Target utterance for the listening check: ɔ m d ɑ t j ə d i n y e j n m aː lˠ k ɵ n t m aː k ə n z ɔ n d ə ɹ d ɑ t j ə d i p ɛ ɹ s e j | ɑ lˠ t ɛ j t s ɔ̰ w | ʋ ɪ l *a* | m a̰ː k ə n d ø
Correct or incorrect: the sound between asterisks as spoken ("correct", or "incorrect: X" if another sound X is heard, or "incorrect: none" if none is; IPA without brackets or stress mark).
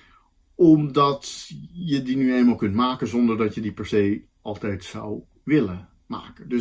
incorrect: ə